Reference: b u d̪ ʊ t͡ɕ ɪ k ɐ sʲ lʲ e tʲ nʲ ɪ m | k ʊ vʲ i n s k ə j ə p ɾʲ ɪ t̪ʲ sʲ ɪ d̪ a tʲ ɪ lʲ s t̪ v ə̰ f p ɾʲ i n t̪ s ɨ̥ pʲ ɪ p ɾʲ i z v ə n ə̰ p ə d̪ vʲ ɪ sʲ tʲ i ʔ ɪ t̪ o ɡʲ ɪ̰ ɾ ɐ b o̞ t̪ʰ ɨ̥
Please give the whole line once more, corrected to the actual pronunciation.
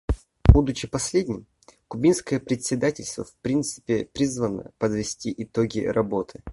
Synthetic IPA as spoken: b u d̪ ʊ t͡ɕ ɪ p ɐ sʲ lʲ e dʲ nʲ ɪ m | k ʊ bʲ i n s k ə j ə p ɾʲ ɪ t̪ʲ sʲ ɪ d̪ a tʲ ɪ lʲ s t̪ v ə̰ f p ɾʲ i n t̪ s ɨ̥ pʲ ɪ p ɾʲ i z v ə n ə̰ p ə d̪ vʲ ɪ sʲ tʲ i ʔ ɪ t̪ o ɡʲ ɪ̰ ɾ ɐ b o̞ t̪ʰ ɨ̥

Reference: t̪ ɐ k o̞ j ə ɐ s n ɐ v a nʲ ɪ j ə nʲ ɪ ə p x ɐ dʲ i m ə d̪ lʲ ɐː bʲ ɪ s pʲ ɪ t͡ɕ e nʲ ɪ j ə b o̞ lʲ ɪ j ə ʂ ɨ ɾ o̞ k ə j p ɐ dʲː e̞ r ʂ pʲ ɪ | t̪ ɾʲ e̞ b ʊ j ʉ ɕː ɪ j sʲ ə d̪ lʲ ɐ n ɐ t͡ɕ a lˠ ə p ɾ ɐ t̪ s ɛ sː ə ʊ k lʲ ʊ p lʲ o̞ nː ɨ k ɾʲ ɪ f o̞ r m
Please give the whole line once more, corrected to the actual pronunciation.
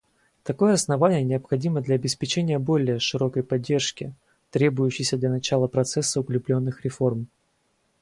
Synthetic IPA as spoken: t̪ ɐ k o̞ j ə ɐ s n ɐ v a nʲ ɪ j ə nʲ ɪ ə p x ɐ dʲ i m ə d̪ lʲ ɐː bʲ ɪ s pʲ ɪ t͡ɕ e nʲ ɪ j ə b o̞ lʲ ɪ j ə ʂ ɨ ɾ o̞ k ə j p ɐ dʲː e̞ r ʂ kʲ ɪ | t̪ ɾʲ e̞ b ʊ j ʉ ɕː ɪ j sʲ ə d̪ lʲ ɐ n ɐ t͡ɕ a lˠ ə p ɾ ɐ t̪ s ɛ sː ə ʊ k lʲ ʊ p lʲ o̞ nː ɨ x ɾʲ ɪ f o̞ r m

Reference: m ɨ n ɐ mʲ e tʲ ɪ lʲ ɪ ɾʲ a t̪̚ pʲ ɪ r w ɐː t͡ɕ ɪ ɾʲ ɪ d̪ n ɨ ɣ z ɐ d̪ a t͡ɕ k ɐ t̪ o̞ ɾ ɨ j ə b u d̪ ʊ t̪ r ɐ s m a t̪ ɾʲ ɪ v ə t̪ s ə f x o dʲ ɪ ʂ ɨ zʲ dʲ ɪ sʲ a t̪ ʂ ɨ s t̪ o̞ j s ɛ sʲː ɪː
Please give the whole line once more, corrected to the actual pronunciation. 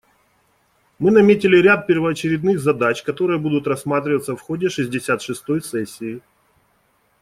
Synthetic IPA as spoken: m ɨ n ɐ mʲ e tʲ ɪ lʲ ɪ ɾʲ a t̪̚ pʲ ɪ r v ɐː t͡ɕ ɪ ɾʲ ɪ d̪ n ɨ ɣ z ɐ d̪ a t͡ɕ k ɐ t̪ o̞ ɾ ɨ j ə b u d̪ ʊ t̪ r ɐ s m a t̪ ɾʲ ɪ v ə t̪ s ə f x o dʲ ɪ ʂ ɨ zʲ dʲ ɪ sʲ a t̪ ʂ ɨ s t̪ o̞ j s ɛ sʲː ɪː

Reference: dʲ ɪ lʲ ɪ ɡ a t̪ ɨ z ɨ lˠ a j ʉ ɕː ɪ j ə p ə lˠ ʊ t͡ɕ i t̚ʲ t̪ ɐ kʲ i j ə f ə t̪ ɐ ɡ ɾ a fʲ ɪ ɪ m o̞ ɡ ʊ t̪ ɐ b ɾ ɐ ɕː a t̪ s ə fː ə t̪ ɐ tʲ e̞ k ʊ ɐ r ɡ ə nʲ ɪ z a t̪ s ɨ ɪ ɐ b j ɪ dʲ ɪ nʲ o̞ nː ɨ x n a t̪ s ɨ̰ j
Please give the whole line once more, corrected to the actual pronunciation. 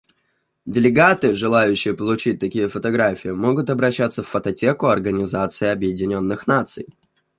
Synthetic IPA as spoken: dʲ ɪ lʲ ɪ ɡ a t̪ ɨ ʐ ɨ lˠ a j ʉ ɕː ɪ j ə p ə lˠ ʊ t͡ɕ i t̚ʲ t̪ ɐ kʲ i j ə f ə t̪ ɐ ɡ ɾ a fʲ ɪ ɪ m o̞ ɡ ʊ t̪ ɐ b ɾ ɐ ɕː a t̪ s ə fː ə t̪ ɐ tʲ e̞ k ʊ ɐ r ɡ ə nʲ ɪ z a t̪ s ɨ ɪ ɐ b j ɪ dʲ ɪ nʲ o̞ nː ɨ x n a t̪ s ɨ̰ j

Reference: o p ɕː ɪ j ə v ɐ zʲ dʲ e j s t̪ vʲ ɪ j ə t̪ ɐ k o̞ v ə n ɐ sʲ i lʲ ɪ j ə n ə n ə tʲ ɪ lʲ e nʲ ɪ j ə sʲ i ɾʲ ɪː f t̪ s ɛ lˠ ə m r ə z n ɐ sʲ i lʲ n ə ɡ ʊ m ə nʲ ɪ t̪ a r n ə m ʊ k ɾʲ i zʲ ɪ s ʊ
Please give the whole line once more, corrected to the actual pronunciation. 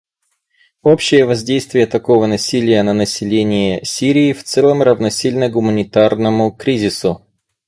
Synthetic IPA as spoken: o p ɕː ɪ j ə v ɐ zʲ dʲ e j s t̪ vʲ ɪ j ə t̪ ɐ k o̞ v ə n ɐ sʲ i lʲ ɪ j ə n ə n ə sʲ ɪ lʲ e nʲ ɪ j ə sʲ i ɾʲ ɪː f t̪ s ɛ lˠ ə m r ə v n ɐ sʲ i lʲ n ə ɡ ʊ m ə nʲ ɪ t̪ a r n ə m ʊ k ɾʲ i zʲ ɪ s ʊ

